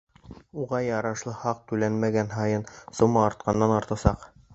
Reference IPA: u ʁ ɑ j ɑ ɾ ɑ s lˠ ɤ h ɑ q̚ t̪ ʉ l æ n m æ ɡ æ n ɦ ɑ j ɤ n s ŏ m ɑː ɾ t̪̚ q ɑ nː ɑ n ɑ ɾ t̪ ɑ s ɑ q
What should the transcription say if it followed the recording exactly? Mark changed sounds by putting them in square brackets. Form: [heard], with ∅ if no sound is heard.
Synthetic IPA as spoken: u ʁ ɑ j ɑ ɾ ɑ [ʃ] lˠ ɤ h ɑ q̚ t̪ ʉ l æ n m æ ɡ æ n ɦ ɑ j ɤ n s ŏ m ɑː ɾ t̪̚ q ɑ nː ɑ n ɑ ɾ t̪ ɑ s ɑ q